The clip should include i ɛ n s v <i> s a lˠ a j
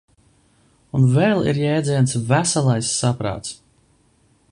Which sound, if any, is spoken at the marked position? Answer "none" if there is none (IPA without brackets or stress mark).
æ